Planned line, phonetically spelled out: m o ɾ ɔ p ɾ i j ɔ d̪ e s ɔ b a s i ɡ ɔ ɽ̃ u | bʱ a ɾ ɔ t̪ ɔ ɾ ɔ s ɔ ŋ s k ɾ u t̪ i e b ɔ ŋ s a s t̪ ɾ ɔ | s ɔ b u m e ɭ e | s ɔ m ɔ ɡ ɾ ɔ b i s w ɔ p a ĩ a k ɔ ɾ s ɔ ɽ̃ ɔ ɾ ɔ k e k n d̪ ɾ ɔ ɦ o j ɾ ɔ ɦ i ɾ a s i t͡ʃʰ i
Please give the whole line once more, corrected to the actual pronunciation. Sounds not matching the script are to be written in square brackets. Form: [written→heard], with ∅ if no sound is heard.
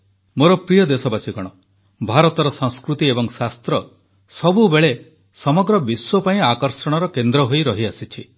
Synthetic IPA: m o ɾ ɔ p ɾ i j ɔ d̪ e s ɔ b a s i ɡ ɔ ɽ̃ [u→ɔ] | bʱ a ɾ ɔ t̪ ɔ ɾ ɔ s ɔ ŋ s k ɾ u t̪ i e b ɔ ŋ s a s t̪ ɾ ɔ | s ɔ b u [m→b] e ɭ e | s ɔ m ɔ ɡ ɾ ɔ b i s w ɔ p a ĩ a k ɔ ɾ s ɔ ɽ̃ ɔ ɾ ɔ k e [k→∅] n d̪ ɾ ɔ ɦ o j ɾ ɔ ɦ i [ɾ→∅] a s i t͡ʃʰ i